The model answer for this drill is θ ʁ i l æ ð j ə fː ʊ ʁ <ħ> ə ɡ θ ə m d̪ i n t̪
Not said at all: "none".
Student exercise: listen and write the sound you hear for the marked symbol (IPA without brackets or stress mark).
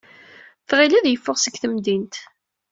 s